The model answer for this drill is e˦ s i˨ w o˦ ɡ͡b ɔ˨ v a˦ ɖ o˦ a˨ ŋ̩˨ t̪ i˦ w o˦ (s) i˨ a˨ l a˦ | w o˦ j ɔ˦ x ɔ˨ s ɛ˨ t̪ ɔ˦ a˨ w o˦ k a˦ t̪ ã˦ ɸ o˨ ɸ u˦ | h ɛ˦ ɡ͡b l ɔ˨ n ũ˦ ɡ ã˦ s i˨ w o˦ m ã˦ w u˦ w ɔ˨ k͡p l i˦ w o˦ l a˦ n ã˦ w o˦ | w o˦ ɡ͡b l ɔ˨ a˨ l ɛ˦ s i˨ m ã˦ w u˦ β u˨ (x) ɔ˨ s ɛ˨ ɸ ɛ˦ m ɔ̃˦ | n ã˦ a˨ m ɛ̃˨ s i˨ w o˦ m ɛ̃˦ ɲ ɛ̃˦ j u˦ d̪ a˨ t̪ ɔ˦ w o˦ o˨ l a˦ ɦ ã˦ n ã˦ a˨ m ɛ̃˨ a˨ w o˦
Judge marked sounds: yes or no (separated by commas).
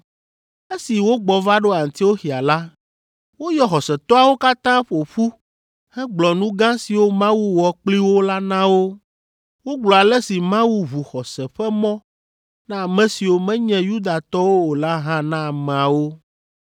no, yes